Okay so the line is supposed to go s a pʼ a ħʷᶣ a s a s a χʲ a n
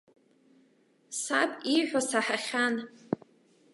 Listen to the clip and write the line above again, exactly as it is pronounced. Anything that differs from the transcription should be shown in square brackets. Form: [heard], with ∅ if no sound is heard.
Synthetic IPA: s a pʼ [i] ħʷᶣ a s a [ħ] a χʲ a n